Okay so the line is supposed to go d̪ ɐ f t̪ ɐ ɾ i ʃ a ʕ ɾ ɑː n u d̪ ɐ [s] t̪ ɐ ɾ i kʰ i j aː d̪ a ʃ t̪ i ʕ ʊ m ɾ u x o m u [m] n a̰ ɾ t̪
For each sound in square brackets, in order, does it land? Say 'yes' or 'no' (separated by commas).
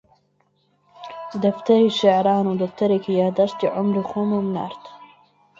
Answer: no, yes